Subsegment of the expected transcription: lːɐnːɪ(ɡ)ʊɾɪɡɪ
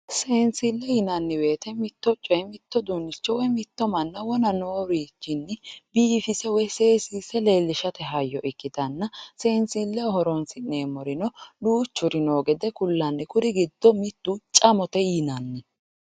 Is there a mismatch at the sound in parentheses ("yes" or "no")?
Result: yes